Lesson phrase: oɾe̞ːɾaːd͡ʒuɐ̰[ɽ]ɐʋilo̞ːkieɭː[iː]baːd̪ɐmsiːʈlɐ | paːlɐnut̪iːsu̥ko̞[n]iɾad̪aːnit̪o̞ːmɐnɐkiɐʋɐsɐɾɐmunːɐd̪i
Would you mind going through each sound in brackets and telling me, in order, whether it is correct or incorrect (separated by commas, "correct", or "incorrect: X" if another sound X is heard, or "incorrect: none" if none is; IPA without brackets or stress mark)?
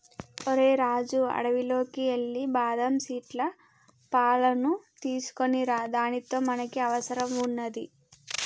correct, incorrect: i, correct